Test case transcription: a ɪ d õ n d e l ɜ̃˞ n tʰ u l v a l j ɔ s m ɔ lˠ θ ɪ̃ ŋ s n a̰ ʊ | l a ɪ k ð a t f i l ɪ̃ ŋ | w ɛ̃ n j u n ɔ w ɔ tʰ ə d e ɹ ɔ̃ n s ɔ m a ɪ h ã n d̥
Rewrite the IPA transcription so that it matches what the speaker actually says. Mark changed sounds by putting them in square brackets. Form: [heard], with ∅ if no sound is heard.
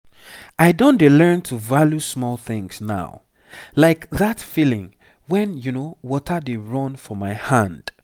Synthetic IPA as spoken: a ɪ d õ n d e l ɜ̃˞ n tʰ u [∅] v a l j [u] s m ɔ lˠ θ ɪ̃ ŋ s n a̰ ʊ | l a ɪ k ð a t f i l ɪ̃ ŋ | w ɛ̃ n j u n [o] w ɔ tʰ ə d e ɹ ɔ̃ n [f] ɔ m a ɪ h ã n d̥